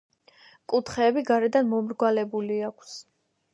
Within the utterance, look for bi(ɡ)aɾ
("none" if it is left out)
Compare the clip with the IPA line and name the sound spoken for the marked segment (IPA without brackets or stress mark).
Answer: ɡ